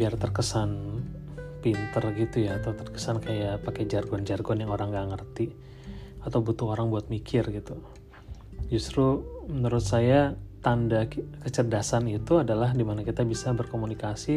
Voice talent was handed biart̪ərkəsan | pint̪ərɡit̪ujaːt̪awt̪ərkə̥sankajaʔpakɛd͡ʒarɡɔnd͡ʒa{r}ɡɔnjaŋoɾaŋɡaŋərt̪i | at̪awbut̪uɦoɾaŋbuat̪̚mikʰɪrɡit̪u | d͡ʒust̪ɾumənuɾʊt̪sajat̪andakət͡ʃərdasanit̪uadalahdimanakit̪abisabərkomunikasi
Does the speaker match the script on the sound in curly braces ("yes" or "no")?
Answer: yes